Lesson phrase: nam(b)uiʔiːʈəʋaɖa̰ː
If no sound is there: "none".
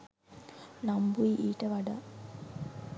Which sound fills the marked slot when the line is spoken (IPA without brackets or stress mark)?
b